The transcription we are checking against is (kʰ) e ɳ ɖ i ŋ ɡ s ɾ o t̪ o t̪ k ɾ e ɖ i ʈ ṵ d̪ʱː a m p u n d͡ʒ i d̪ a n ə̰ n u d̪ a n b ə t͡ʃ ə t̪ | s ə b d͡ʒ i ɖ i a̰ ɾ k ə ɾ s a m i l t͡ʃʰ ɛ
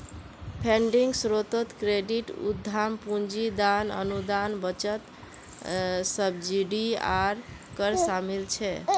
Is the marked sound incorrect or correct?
incorrect: pʰ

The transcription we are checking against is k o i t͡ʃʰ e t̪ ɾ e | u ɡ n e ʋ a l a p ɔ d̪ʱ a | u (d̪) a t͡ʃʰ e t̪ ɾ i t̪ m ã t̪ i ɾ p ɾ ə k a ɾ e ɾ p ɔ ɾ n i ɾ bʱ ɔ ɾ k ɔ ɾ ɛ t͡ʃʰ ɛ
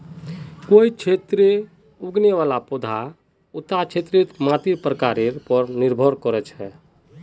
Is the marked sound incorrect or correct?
incorrect: t̪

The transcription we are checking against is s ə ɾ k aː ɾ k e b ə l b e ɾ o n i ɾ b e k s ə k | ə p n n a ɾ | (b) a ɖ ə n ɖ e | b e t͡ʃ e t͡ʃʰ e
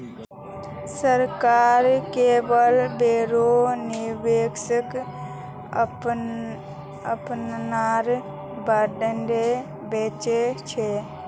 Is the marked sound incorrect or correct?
correct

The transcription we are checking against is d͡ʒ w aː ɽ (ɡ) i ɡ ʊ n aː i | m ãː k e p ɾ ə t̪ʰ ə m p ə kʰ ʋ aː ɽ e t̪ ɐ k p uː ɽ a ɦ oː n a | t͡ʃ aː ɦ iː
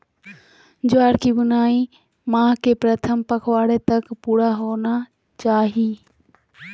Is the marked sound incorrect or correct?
incorrect: k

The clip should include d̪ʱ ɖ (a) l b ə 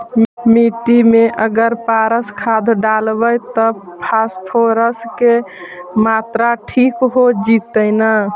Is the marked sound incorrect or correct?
correct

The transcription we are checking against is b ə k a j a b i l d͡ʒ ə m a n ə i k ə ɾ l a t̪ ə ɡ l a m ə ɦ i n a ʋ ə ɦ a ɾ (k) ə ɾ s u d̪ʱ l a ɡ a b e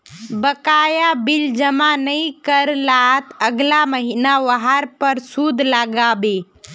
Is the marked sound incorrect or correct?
incorrect: p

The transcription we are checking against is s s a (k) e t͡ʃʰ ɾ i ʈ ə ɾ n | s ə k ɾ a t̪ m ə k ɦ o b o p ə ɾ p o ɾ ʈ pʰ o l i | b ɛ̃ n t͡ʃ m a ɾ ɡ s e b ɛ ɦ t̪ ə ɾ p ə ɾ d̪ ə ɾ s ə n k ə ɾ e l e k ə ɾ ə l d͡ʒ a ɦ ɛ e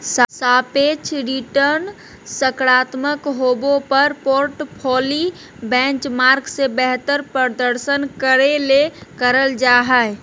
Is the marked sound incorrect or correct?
incorrect: p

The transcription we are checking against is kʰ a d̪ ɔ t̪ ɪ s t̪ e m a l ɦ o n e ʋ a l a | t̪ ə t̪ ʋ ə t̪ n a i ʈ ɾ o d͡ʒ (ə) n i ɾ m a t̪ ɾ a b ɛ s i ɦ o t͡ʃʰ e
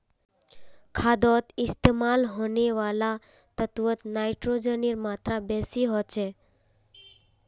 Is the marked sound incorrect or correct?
correct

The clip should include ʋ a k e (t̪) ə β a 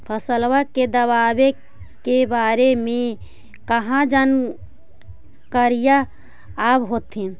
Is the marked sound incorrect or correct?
incorrect: d̪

